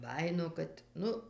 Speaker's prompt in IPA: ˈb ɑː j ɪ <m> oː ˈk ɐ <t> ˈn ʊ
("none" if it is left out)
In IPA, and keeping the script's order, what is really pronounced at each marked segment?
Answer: n, t

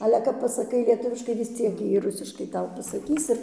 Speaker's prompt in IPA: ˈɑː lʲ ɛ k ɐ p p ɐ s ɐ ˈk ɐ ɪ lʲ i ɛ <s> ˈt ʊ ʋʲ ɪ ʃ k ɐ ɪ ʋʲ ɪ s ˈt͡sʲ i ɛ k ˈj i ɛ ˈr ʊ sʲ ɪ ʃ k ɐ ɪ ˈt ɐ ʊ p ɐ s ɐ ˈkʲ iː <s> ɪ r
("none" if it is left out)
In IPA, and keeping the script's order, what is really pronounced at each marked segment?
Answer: none, s

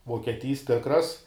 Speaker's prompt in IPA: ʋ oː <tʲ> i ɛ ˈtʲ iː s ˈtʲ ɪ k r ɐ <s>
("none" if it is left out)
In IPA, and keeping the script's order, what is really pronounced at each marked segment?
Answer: kʲ, s

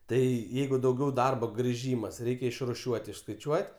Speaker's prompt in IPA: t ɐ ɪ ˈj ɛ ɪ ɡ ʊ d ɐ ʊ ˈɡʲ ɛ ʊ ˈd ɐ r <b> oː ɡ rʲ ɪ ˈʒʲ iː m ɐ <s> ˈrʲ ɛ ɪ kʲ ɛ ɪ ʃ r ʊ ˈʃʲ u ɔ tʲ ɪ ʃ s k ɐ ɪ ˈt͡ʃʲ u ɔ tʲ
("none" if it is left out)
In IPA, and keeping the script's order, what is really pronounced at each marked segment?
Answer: b, s

